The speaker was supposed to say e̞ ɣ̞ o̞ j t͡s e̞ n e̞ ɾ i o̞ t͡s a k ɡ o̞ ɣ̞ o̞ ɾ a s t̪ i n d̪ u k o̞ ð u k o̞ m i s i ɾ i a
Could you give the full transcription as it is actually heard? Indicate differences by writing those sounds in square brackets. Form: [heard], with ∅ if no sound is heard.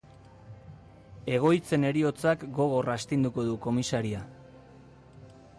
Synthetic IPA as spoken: e̞ ɣ̞ o̞ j t͡s e̞ n e̞ ɾ i o̞ t͡s a k ɡ o̞ ɣ̞ o̞ [r] a s t̪ i n d̪ u k o̞ ð u k o̞ m i s [a] ɾ i a